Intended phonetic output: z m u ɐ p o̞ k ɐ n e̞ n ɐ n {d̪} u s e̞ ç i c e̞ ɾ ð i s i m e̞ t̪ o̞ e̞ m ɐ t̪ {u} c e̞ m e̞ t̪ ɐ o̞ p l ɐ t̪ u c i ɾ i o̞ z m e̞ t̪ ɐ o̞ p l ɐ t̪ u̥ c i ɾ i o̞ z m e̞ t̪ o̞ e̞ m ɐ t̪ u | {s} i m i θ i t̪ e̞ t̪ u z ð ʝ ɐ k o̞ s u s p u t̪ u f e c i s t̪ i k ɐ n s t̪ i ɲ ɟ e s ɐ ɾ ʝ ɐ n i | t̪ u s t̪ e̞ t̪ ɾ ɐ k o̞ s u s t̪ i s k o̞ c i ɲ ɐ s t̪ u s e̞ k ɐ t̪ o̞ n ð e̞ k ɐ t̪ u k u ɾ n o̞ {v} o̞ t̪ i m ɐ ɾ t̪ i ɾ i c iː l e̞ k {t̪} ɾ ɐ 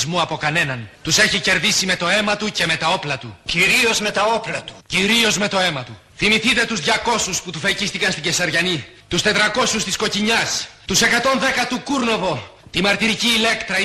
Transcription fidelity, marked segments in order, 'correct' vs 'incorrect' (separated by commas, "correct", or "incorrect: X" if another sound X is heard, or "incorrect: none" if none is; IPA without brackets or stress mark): incorrect: t̪, correct, incorrect: θ, correct, correct